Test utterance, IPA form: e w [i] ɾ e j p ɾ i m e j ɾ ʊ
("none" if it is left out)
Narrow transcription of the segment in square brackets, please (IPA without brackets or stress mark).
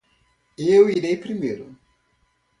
i